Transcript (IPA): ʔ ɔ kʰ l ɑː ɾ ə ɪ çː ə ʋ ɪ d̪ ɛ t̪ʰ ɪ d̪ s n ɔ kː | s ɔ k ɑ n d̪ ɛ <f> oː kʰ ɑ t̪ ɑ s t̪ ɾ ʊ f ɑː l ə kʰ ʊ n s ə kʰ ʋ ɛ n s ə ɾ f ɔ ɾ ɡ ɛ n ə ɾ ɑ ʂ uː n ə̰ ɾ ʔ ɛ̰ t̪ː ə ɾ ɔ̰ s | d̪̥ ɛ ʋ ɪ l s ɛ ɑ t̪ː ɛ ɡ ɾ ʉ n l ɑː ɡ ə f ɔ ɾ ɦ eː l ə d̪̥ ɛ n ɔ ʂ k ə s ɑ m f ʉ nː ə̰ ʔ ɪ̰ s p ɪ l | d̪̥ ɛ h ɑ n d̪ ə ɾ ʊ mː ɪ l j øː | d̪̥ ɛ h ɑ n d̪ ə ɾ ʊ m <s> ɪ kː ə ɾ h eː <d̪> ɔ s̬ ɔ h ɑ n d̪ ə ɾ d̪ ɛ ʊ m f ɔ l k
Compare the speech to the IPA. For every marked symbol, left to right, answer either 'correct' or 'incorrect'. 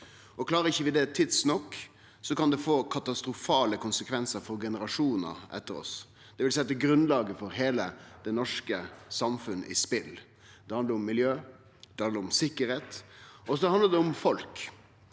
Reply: correct, correct, incorrect: t̪

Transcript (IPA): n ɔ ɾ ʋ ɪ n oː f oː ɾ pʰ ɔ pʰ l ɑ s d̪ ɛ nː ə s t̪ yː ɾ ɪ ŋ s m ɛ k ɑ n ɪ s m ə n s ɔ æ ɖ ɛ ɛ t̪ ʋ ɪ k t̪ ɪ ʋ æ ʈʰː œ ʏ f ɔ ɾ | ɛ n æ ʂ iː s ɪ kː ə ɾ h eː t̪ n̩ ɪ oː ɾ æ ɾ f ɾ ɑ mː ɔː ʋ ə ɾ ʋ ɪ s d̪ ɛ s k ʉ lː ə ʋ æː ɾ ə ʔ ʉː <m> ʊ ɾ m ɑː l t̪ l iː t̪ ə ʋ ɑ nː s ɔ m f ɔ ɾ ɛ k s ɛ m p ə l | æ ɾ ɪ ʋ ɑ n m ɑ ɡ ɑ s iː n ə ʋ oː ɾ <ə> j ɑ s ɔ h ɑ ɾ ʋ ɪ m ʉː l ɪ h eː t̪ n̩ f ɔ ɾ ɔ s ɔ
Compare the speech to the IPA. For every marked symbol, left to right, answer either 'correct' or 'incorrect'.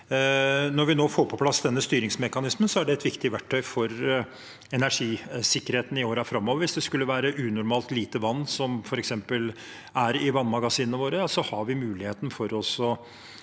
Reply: incorrect: n, correct

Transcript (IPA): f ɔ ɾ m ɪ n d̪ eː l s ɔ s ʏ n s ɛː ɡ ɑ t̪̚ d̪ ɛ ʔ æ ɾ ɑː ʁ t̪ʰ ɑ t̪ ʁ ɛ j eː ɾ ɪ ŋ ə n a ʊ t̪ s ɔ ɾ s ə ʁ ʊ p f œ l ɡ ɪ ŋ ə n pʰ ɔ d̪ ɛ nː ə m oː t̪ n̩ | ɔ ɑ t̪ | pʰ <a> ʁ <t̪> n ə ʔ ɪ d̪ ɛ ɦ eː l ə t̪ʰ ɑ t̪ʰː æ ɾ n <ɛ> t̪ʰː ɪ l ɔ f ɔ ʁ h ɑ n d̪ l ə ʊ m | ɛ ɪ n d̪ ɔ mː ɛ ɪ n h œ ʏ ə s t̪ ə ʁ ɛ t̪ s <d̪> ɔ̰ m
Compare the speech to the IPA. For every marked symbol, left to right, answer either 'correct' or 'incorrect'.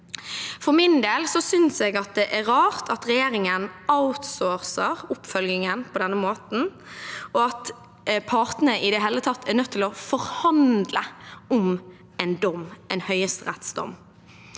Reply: incorrect: ɑ, correct, incorrect: œ, correct

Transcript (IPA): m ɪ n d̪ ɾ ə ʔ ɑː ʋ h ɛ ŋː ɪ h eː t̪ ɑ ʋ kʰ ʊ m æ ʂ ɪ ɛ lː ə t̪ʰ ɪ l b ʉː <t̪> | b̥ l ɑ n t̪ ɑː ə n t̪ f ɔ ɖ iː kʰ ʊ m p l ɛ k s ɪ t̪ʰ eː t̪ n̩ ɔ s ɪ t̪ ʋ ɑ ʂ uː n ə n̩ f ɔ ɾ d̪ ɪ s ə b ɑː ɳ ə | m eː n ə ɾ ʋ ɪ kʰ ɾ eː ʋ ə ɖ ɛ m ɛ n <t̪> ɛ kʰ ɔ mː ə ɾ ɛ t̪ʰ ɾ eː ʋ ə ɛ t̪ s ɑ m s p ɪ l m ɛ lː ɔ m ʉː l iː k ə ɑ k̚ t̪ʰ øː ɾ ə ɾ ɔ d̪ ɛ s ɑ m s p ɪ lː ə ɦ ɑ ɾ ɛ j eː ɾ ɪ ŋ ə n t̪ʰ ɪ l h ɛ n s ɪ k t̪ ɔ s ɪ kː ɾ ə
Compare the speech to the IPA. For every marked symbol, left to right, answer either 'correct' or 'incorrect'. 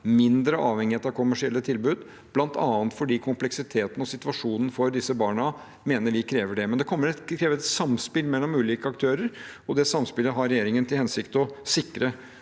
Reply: incorrect: d̪, incorrect: d̪

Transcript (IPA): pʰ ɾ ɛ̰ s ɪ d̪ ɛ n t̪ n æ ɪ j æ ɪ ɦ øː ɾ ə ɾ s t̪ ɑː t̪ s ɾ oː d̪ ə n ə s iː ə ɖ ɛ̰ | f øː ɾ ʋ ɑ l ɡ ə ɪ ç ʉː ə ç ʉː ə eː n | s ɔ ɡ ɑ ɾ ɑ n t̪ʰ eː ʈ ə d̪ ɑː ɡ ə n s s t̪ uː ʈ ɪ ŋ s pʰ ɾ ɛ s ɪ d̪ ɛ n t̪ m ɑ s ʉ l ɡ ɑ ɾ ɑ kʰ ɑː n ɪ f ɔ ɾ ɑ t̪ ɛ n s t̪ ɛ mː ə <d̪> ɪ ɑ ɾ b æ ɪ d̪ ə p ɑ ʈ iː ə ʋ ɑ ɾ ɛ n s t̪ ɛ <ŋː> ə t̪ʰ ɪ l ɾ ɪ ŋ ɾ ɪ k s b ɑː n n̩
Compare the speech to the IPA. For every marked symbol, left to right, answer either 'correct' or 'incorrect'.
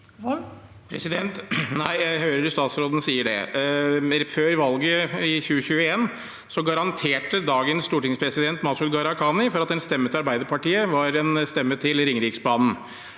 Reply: incorrect: t̪, incorrect: mː

